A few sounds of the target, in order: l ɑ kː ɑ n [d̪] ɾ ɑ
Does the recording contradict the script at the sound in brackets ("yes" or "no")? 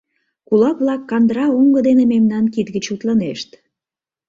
no